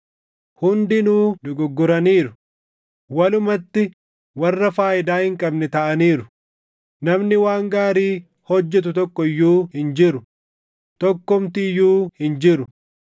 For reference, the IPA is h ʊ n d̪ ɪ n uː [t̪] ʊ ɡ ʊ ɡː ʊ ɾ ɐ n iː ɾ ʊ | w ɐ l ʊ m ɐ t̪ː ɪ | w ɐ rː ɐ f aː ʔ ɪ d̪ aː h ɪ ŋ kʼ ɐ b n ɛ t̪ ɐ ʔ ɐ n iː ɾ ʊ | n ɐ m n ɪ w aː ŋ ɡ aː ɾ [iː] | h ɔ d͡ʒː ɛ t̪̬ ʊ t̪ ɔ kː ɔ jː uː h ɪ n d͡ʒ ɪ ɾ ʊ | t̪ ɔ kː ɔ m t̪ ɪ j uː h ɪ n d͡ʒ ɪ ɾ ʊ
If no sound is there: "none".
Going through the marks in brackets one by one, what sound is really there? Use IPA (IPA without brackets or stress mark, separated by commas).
d̪, iː